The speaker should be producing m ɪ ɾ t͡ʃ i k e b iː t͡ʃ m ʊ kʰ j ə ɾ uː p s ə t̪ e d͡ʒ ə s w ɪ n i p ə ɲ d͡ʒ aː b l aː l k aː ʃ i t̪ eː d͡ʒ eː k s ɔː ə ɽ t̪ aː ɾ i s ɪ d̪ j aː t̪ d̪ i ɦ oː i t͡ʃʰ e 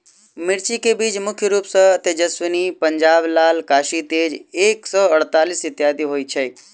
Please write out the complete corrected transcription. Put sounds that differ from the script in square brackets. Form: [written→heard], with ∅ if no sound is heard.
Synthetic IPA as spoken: m ɪ ɾ t͡ʃ i k e b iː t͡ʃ m ʊ kʰ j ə ɾ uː p s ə t̪ e d͡ʒ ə s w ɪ n i p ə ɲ d͡ʒ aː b l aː l k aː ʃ i t̪ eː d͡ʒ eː k s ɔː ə ɽ t̪ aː [ɾ→l] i s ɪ [d̪→t̪] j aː [t̪→∅] d̪ i ɦ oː i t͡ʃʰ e